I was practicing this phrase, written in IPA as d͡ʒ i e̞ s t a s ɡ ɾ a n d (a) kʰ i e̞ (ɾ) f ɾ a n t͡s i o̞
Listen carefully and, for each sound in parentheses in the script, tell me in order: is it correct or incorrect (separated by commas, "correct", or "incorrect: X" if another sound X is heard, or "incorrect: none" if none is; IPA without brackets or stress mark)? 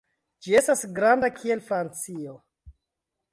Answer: correct, incorrect: l